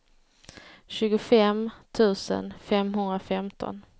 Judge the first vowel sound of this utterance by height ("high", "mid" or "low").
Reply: high